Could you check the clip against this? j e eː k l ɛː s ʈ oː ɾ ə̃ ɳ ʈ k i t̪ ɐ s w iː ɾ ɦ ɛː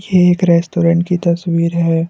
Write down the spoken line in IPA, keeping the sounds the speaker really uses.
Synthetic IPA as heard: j e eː k ɾ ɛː s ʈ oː ɾ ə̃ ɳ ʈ k i t̪ ɐ s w iː ɾ ɦ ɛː